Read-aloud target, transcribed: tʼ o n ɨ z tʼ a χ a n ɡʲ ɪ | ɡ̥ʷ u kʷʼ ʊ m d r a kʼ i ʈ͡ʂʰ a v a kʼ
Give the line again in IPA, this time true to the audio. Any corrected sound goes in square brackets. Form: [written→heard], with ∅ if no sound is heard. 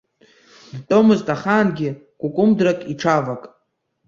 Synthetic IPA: tʼ o [n→m] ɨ z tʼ a χ a n ɡʲ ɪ | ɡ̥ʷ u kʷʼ ʊ m d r a kʼ i ʈ͡ʂʰ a v a kʼ